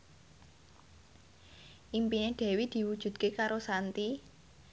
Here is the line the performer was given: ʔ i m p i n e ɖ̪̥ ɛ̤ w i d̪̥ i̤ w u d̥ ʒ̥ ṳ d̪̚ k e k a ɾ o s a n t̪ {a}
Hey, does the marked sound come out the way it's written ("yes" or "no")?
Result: no